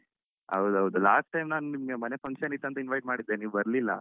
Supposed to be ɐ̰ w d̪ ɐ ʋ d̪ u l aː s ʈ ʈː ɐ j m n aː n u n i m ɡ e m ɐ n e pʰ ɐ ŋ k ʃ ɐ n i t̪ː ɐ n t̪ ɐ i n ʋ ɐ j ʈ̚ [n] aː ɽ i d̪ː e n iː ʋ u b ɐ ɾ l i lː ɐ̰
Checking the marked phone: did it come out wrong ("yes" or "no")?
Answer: yes